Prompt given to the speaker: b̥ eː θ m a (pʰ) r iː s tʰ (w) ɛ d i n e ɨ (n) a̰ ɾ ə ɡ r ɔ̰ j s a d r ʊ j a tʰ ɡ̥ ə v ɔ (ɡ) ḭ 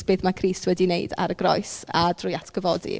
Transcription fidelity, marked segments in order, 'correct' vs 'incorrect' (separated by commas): incorrect, correct, incorrect, incorrect